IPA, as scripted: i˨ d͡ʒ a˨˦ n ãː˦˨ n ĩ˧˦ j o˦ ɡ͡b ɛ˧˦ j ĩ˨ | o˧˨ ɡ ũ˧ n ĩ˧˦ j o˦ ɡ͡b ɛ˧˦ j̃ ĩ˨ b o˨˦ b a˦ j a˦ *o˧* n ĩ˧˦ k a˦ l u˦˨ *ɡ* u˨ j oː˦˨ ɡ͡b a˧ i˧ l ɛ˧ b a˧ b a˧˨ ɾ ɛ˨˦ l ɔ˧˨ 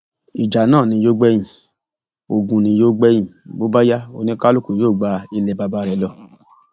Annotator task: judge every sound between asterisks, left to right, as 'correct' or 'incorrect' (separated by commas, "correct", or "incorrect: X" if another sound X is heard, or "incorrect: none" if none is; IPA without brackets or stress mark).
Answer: correct, incorrect: k